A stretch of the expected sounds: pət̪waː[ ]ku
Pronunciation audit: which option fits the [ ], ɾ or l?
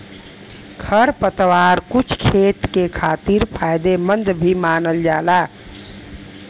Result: ɾ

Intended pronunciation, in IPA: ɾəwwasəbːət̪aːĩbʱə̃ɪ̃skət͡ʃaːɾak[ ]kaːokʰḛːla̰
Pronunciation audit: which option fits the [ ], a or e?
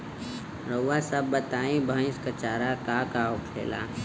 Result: a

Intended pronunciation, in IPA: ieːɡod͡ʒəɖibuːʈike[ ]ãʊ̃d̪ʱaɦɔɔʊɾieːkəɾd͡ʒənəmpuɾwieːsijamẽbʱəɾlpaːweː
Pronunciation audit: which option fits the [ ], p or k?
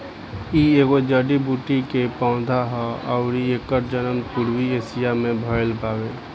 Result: p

